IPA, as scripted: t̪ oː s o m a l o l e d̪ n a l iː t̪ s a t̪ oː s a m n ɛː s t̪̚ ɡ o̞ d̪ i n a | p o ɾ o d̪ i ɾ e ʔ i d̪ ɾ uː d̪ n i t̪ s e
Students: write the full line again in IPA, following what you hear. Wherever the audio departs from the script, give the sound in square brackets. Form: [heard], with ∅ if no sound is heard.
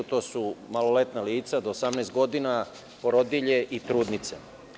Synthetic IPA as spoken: t̪ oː s [u] m a l o l e [t̪] n a l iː t̪ s a [d̪] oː s a m n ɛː s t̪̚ ɡ o̞ d̪ i n a | p o ɾ o d̪ i [ʎ] e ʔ i [t̪] ɾ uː d̪ n i t̪ s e